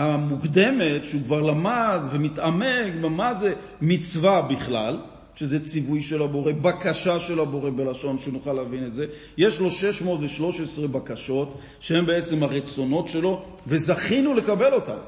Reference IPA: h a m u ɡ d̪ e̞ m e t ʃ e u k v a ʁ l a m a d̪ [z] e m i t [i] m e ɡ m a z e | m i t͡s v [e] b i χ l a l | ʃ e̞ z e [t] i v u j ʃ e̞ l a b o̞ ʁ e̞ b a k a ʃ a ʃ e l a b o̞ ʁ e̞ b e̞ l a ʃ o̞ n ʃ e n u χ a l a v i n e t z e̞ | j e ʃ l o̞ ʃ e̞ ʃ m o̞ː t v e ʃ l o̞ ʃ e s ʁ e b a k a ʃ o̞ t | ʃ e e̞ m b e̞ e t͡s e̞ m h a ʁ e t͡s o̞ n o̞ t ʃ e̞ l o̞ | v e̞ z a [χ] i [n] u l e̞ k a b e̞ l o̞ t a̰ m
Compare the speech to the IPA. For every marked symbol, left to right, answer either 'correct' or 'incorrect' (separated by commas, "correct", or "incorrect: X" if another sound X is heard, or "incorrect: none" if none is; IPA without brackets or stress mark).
incorrect: v, incorrect: a, incorrect: a, incorrect: t͡s, correct, correct